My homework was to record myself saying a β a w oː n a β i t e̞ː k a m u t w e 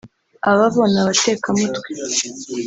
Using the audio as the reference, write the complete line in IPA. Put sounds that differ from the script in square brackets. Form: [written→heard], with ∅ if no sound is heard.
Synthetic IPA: a β a [w→β] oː n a β [i→a] t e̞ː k a m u t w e

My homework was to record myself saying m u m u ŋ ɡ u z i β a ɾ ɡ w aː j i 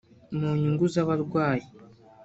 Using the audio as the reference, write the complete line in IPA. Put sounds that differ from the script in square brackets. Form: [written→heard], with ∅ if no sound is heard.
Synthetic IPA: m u [m→ɲ] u ŋ ɡ u z [i→a] β a ɾ ɡ w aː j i

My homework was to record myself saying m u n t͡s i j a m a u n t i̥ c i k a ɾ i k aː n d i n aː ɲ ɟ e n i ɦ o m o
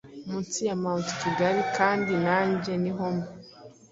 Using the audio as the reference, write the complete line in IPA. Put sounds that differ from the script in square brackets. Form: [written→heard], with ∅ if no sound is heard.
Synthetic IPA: m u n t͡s i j a m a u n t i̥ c i [k→ɡ] a ɾ i k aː n d i n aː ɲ ɟ e n i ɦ o m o

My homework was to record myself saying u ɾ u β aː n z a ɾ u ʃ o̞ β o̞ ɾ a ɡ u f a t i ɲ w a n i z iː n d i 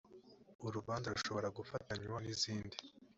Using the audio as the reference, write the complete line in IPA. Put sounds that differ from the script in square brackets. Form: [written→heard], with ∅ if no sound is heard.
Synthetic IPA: u ɾ u β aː n z a ɾ u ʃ o̞ β o̞ ɾ a ɡ u f a t [i→a] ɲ w a n i z iː n d i

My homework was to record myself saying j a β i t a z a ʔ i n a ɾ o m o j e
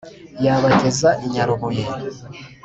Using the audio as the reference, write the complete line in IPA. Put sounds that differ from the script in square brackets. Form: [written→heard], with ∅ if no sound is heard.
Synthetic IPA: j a β [i→a] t [a→e] z a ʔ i [n→ɲ] a ɾ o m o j e

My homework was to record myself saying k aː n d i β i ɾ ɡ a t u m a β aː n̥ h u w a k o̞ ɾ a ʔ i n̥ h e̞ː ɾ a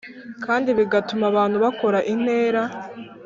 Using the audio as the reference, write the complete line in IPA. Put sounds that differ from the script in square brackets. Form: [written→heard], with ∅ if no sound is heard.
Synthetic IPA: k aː n d i β i [ɾ→∅] ɡ a t u m a β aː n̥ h u [w→β] a k o̞ ɾ a ʔ i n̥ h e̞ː ɾ a

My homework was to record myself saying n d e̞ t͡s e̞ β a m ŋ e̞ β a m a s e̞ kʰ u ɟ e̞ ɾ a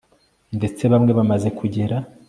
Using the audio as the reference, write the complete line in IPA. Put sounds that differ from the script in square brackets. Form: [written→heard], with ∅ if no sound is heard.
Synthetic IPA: n d e̞ t͡s e̞ β a m ŋ e̞ β a m a [s→z] e̞ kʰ u ɟ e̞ ɾ a

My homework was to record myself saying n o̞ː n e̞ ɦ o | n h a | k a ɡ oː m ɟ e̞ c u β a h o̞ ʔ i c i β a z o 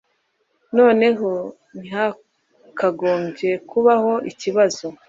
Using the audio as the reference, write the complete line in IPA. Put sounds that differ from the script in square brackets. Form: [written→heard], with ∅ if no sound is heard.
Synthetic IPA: n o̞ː n e̞ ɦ o | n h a | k a ɡ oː m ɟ e̞ [c→k] u β a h o̞ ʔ i c i β a z o

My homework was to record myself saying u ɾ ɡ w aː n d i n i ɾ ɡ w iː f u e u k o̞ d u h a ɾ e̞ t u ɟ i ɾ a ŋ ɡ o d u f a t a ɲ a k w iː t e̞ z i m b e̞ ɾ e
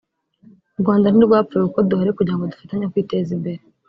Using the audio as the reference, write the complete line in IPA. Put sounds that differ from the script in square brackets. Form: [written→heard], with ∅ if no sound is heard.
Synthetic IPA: u ɾ ɡ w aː n d [i→a] n i ɾ ɡ w [iː→aː] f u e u k o̞ d u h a ɾ e̞ [t→k] u ɟ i ɾ a ŋ ɡ o d u f a t a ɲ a k w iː t e̞ z i m b e̞ ɾ e

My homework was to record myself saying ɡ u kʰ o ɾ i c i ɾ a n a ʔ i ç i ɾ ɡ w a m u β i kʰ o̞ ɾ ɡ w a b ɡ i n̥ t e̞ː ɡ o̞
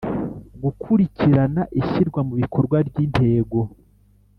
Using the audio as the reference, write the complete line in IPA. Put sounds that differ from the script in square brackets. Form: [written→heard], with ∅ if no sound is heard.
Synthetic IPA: ɡ u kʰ [o→u] ɾ i c i ɾ a n a ʔ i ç i ɾ ɡ w a m u β i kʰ o̞ ɾ ɡ w a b [ɡ→ɟ] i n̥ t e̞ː ɡ o̞

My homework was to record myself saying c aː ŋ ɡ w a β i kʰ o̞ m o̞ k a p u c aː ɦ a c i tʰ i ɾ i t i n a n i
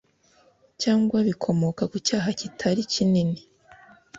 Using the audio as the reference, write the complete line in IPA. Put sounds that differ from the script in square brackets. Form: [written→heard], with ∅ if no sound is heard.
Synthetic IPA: c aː ŋ ɡ w a β i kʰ o̞ m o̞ k a [p→k] u c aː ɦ a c i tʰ [i→a] ɾ i [t→c] i n [a→i] n i

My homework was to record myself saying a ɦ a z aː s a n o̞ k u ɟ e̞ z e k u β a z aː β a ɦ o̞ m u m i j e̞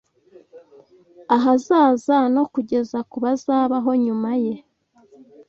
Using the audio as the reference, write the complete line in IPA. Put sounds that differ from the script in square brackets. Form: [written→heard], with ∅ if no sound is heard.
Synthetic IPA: a ɦ a z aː [s→z] a n o̞ k u ɟ e̞ z [e→a] k u β a z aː β a ɦ o̞ [m→ɲ] u m [i→a] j e̞

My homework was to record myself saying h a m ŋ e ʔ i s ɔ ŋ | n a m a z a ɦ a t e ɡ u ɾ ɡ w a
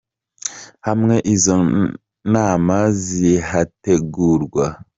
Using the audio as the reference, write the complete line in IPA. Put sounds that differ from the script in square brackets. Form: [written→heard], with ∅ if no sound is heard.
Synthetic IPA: h a m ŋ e ʔ i [s→z] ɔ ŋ | n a m a z [a→i] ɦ a t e ɡ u ɾ ɡ w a

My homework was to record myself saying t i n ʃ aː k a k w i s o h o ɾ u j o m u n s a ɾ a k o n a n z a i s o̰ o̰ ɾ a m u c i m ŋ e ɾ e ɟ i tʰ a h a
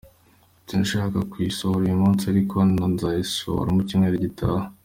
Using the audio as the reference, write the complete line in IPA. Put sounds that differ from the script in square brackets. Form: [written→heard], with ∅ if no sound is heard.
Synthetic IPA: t i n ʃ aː k a k w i s o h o ɾ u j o m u n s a ɾ [a→i] k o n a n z a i s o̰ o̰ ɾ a m u c i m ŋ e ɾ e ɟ i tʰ a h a

